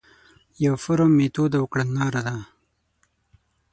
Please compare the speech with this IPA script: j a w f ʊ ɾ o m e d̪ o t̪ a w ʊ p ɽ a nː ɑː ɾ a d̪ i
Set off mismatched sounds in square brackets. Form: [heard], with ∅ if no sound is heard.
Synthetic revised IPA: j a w f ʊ ɾ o m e [t̪] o [d̪] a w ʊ [k] ɽ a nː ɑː ɾ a d̪ [a]